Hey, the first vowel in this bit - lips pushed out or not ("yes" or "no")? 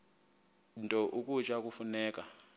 yes